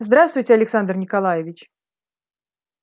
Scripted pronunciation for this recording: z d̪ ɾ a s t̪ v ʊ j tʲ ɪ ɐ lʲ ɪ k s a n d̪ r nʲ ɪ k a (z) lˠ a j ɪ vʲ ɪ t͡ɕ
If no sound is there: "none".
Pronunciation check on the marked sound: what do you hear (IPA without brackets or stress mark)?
none